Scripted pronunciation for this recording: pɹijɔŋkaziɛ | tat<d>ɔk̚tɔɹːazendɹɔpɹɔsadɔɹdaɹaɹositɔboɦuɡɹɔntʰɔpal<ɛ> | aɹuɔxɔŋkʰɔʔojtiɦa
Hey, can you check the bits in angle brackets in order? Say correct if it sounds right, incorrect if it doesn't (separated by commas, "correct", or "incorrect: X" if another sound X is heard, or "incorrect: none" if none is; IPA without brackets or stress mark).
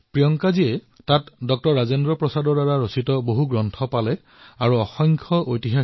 correct, correct